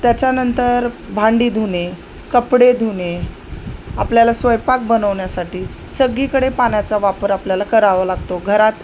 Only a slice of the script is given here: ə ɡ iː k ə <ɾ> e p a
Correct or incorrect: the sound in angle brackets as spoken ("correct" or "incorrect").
incorrect